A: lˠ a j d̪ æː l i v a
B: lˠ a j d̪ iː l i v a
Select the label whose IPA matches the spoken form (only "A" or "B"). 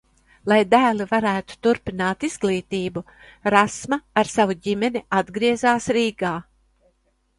A